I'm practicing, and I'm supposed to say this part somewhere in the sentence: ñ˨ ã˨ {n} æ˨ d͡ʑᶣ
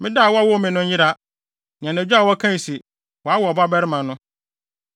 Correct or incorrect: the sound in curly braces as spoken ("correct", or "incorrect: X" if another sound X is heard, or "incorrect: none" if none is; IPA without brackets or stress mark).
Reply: correct